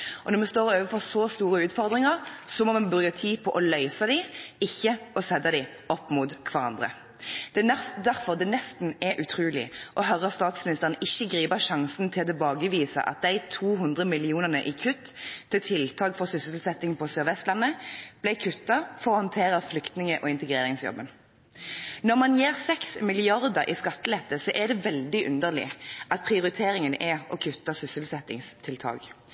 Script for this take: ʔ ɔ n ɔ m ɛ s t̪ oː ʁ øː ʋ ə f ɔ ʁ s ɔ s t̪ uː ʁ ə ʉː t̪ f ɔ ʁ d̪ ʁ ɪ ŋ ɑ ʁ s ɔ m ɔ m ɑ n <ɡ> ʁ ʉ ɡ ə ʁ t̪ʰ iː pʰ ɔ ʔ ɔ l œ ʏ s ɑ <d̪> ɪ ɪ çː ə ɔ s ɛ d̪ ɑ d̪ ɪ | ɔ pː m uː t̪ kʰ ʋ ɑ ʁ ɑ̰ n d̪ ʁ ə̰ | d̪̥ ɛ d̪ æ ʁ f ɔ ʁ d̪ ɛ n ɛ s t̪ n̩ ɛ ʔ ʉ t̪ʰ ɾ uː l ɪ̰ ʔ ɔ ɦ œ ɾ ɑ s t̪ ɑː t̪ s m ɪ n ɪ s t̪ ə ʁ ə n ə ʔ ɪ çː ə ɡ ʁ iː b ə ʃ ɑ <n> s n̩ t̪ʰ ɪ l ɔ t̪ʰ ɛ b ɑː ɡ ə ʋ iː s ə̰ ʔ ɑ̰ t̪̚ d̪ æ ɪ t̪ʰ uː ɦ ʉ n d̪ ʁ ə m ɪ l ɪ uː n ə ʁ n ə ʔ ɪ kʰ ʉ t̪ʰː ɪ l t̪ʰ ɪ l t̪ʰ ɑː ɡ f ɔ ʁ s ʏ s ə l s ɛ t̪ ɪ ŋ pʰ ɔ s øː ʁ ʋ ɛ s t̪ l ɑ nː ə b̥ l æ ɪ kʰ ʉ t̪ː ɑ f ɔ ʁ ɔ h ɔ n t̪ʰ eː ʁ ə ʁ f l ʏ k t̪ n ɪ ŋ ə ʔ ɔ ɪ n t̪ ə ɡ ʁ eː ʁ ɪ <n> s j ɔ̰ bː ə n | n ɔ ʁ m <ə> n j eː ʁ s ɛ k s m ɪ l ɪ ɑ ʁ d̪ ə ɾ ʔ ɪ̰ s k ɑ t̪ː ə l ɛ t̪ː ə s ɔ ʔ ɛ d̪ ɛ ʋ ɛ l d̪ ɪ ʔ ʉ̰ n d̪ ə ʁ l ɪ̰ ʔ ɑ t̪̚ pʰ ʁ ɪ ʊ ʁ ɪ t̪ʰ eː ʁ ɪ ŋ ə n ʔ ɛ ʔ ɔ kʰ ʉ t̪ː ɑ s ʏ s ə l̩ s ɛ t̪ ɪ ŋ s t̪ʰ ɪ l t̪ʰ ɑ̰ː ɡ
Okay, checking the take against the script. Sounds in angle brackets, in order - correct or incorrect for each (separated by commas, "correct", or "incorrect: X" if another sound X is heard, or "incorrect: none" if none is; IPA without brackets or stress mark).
incorrect: b, correct, incorrect: ŋ, incorrect: ŋ, incorrect: ɑ